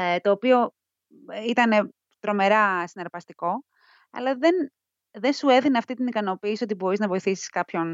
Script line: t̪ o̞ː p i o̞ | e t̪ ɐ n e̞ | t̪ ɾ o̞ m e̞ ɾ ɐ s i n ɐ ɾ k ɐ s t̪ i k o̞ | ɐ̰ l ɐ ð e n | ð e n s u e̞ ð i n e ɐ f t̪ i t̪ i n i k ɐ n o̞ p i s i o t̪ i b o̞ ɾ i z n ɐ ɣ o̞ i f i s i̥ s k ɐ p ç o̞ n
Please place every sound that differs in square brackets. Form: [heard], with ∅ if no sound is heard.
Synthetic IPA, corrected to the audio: t̪ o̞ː p i o̞ | [i] t̪ ɐ n e̞ | t̪ ɾ o̞ m e̞ ɾ ɐ s i n ɐ ɾ [p] ɐ s t̪ i k o̞ | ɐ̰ l ɐ ð e n | ð e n s u e̞ ð i n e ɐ f t̪ i t̪ i n i k ɐ n o̞ p [iː] s i o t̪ i b o̞ ɾ i z n ɐ [v] o̞ i [θ] i s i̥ s k ɐ p ç o̞ n